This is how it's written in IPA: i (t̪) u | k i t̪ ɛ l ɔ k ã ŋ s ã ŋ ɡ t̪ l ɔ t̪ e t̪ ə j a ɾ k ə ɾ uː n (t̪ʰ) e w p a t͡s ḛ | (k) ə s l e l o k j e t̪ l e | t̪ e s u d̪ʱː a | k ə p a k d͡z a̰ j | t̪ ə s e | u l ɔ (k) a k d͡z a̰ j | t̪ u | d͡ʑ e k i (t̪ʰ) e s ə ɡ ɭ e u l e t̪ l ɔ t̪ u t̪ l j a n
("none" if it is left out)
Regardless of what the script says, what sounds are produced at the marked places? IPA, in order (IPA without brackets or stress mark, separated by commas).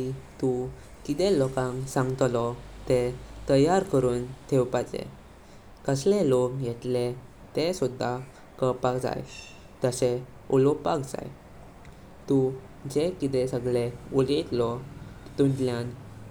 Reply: t̪, t̪ʰ, k, p, t̪